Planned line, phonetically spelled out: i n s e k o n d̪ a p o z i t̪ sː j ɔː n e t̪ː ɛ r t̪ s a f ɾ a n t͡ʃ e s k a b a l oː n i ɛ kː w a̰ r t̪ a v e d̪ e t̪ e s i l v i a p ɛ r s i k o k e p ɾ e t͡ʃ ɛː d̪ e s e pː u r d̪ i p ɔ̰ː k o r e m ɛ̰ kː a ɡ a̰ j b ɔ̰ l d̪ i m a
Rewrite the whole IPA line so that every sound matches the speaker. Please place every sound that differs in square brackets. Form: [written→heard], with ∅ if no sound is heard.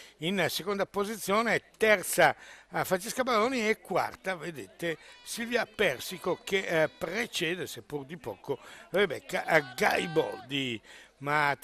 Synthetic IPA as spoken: i n s e k o n d̪ a p o z i t̪ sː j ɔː n e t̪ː ɛ r t̪ s a f ɾ a n t͡ʃ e s k a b a l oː n i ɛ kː w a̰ r t̪ a v e d̪ e t̪ e s i l v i a p ɛ r s i k o k e p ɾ e t͡ʃ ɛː d̪ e s e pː u r d̪ i p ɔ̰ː k o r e [m→b] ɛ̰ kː a ɡ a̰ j b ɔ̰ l d̪ i m a